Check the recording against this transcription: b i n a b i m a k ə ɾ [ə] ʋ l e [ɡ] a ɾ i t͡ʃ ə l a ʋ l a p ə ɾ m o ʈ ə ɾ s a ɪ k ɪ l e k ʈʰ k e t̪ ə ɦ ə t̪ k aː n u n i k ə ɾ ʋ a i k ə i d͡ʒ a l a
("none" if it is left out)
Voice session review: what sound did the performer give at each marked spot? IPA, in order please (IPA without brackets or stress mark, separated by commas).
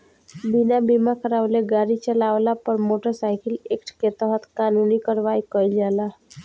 a, ɡ